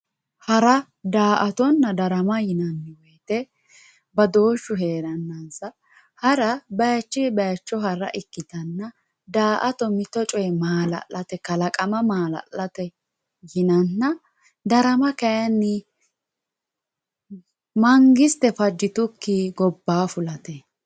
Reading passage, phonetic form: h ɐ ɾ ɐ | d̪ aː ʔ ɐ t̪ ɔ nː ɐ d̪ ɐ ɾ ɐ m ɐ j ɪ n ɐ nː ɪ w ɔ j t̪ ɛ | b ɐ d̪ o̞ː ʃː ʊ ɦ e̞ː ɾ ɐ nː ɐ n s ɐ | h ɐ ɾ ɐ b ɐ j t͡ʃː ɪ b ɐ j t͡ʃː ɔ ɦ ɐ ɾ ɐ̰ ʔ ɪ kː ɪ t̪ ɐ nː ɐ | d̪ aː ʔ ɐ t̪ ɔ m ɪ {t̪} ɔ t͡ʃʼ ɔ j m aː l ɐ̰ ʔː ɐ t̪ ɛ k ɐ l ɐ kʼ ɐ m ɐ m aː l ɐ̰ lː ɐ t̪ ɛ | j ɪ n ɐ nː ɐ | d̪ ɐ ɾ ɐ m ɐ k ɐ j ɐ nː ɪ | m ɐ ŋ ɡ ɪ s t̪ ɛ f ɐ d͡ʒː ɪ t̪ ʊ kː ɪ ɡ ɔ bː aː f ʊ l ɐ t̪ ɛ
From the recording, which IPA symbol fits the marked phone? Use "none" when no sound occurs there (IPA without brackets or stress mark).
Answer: t̪